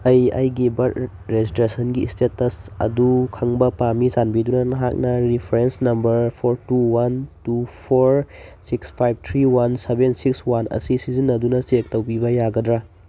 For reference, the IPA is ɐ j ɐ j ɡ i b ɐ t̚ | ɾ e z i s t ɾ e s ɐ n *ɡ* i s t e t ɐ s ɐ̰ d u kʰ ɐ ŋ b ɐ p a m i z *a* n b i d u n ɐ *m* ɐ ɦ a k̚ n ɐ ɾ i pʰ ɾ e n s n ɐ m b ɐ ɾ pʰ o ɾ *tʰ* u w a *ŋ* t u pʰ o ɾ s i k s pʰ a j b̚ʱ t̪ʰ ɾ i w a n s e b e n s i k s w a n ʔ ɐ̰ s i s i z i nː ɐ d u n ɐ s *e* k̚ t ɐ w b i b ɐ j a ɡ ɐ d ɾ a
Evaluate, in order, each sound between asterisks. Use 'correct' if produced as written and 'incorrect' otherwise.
correct, correct, incorrect: n, incorrect: t, incorrect: n, correct

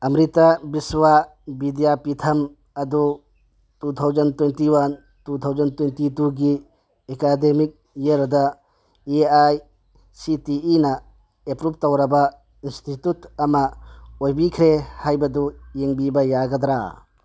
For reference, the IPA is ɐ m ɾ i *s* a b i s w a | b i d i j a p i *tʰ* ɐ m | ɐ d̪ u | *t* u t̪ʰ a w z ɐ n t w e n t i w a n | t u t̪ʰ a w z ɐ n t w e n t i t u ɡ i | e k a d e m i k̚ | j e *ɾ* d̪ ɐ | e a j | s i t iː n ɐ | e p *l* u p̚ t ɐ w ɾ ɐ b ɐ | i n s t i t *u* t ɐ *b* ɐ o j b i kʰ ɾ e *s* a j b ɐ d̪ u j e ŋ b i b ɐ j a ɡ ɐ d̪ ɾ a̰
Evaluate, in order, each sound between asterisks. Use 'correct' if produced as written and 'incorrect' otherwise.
incorrect: t, correct, correct, correct, incorrect: ɾ, correct, incorrect: m, incorrect: h

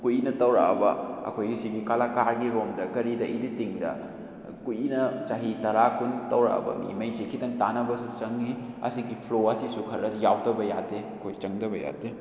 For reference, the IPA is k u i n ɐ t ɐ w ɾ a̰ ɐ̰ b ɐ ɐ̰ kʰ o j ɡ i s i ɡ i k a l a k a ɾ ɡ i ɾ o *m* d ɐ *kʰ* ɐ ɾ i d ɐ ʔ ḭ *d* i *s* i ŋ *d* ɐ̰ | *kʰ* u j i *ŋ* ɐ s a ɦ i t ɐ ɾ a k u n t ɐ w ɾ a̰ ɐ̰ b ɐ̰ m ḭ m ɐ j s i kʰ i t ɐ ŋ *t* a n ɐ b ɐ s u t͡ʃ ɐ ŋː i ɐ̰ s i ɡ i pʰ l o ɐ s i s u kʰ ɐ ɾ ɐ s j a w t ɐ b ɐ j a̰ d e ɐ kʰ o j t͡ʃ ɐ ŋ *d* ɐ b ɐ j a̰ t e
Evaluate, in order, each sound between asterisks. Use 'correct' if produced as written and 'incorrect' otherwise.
correct, incorrect: k, correct, incorrect: t, correct, incorrect: k, incorrect: n, correct, correct

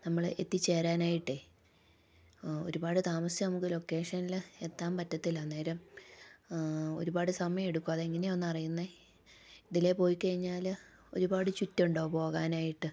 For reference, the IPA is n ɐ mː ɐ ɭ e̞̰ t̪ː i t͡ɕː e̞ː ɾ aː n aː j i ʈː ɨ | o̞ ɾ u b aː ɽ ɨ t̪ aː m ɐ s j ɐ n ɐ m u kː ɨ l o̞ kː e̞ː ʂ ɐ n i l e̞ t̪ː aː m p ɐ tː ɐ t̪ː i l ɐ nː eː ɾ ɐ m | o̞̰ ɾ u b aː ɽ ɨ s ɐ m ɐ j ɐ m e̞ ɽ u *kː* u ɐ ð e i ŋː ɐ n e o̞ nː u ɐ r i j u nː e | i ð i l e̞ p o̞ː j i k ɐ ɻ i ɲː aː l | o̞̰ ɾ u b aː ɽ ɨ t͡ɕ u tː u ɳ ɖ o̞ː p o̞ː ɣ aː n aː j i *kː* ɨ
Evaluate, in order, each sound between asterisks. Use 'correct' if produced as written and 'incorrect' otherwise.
correct, incorrect: ʈː

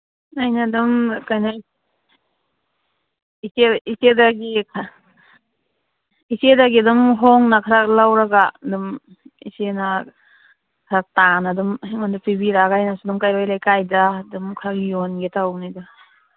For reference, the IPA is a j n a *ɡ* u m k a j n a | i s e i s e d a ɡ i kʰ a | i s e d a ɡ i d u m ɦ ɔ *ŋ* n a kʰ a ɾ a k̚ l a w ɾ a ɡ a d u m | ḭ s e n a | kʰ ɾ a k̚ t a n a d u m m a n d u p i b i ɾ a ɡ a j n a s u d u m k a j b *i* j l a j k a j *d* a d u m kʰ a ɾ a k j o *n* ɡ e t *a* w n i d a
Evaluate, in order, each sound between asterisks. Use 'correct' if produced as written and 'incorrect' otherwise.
incorrect: d, correct, incorrect: a, correct, correct, correct

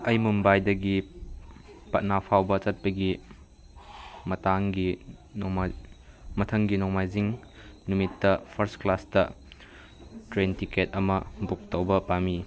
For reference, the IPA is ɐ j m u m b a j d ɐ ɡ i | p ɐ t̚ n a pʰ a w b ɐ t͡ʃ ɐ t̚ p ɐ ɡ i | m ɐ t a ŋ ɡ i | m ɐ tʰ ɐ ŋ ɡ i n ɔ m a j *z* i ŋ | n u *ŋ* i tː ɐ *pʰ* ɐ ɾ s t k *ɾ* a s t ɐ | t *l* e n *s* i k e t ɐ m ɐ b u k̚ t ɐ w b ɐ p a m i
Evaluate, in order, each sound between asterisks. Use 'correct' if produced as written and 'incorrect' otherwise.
correct, incorrect: m, correct, incorrect: l, incorrect: ɾ, incorrect: t

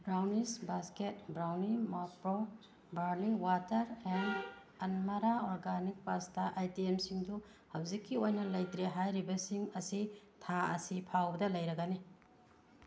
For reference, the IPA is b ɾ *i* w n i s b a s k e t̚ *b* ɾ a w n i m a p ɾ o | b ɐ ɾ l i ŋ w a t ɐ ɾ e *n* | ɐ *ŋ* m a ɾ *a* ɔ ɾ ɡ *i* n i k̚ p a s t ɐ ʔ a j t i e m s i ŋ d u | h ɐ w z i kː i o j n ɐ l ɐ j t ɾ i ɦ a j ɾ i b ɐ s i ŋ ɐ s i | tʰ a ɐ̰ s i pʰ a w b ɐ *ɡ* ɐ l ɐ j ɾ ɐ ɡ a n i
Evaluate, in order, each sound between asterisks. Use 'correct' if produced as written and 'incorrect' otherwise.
incorrect: a, correct, correct, incorrect: n, correct, incorrect: a, incorrect: d

